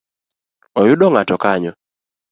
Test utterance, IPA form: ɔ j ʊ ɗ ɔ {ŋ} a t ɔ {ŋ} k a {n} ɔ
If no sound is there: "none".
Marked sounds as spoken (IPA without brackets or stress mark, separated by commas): ŋ, none, ɲ